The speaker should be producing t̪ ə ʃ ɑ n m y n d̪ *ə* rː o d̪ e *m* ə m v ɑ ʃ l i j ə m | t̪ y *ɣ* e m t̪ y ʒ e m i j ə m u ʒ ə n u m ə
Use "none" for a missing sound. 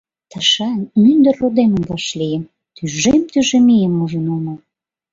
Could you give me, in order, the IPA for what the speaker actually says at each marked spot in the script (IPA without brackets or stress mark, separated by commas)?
ə, m, ʒ